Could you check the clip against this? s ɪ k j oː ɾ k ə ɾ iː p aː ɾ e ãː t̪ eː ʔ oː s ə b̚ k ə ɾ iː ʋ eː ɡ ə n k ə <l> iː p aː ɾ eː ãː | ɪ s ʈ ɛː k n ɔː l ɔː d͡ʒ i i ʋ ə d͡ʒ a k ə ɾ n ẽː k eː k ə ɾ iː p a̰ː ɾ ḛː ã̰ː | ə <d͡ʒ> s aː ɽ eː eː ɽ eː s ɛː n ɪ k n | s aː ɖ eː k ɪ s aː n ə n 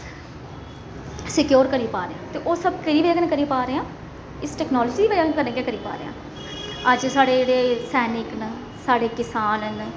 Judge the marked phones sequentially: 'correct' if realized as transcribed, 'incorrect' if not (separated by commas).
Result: incorrect, correct